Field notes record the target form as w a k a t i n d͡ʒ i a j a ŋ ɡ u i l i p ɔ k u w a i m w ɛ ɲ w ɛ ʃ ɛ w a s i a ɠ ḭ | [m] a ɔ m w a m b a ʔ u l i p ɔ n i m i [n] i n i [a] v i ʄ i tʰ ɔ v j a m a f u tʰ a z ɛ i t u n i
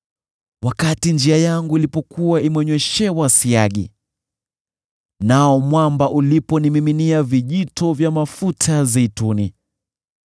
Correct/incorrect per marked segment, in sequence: incorrect, incorrect, correct

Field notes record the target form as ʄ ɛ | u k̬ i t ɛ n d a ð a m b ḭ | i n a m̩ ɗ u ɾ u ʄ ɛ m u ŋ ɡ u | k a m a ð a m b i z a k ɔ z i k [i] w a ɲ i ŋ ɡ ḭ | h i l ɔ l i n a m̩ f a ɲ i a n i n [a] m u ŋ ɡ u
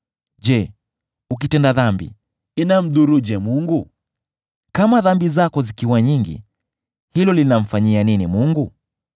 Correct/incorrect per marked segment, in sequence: correct, incorrect

